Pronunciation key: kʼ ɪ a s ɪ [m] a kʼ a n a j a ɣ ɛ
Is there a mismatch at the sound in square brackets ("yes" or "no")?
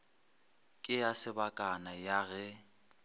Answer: yes